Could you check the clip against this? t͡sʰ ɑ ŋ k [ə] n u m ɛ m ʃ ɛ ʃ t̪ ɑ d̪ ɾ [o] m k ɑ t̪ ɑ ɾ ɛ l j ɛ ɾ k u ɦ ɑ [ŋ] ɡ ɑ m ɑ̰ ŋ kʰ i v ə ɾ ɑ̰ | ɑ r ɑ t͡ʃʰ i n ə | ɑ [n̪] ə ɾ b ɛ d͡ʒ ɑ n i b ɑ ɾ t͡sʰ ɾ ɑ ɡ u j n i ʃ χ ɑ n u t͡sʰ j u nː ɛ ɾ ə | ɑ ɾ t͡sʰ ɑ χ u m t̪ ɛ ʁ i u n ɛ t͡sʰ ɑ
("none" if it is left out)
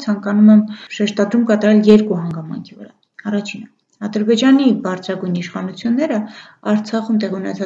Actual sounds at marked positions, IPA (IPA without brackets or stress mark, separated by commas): ɑ, u, ŋ, d̪